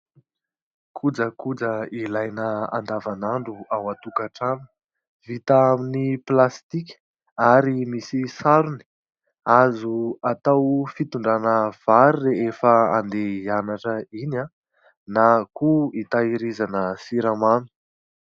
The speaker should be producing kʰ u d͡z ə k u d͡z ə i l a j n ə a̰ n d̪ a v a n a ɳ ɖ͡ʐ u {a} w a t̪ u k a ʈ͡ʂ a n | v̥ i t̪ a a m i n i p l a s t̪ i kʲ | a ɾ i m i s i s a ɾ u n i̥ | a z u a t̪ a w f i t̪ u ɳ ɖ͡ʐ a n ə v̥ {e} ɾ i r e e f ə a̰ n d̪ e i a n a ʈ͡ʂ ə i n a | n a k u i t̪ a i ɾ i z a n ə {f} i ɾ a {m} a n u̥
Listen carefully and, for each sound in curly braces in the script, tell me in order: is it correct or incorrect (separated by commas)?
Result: correct, incorrect, incorrect, correct